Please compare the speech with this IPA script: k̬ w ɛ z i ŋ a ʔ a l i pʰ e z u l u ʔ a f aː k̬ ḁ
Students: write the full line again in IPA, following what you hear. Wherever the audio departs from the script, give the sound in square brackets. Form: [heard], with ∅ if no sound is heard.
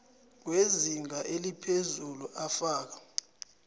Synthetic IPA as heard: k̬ w [e] z i ŋ a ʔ [e] l i pʰ e z u l u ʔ a f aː k̬ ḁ